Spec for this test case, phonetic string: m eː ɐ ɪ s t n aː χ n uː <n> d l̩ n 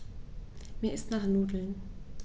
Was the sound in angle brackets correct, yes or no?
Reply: no